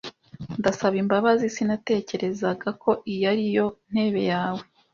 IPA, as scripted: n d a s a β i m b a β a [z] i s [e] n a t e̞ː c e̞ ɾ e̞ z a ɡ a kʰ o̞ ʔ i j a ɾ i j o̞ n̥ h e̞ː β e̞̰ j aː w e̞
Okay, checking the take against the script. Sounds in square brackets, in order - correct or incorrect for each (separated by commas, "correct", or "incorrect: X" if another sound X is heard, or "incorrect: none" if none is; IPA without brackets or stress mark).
correct, incorrect: i